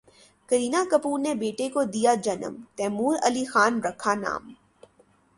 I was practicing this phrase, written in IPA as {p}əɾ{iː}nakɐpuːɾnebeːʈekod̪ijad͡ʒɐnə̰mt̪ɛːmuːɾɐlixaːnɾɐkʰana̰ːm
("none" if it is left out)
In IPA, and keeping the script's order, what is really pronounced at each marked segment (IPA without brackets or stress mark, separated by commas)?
k, iː